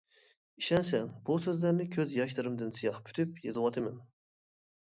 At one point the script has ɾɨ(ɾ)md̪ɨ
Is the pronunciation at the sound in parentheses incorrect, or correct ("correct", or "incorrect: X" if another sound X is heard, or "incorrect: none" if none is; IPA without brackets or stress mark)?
incorrect: none